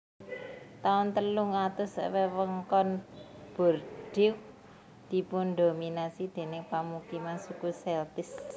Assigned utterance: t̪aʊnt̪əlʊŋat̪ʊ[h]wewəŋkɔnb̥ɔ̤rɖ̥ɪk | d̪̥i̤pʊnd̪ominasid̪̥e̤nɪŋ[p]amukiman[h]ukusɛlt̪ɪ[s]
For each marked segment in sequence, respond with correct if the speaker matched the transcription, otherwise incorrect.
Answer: incorrect: s, correct, incorrect: s, correct

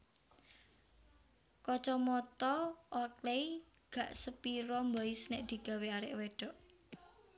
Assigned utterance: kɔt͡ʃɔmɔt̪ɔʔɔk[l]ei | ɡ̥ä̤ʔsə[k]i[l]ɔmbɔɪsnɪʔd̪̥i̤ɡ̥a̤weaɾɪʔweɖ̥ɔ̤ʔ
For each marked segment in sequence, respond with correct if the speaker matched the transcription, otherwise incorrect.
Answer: correct, incorrect: p, incorrect: ɾ

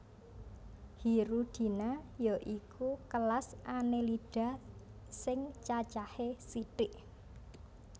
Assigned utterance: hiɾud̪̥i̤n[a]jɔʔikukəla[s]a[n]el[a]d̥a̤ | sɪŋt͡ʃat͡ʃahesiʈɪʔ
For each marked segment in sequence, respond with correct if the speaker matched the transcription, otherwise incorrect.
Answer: correct, correct, correct, incorrect: i

